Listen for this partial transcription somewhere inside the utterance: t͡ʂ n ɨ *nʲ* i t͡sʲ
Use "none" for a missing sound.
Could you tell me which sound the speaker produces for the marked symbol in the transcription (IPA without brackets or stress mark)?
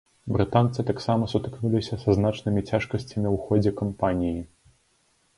mʲ